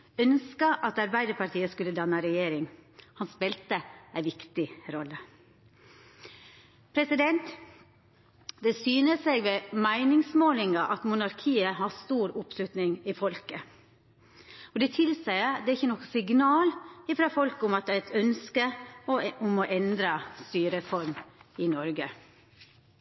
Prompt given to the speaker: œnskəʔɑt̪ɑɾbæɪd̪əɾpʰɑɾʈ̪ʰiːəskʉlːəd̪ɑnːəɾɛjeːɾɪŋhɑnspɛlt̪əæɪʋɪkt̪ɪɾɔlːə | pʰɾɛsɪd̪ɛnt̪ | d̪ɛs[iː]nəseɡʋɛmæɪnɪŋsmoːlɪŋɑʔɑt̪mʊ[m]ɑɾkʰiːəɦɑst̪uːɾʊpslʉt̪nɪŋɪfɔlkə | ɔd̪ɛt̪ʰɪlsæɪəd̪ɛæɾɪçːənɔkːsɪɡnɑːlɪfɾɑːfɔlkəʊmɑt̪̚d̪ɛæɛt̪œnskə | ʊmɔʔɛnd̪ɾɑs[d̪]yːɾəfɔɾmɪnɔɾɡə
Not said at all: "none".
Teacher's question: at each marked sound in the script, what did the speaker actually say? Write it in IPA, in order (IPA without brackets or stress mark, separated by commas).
yː, n, t̪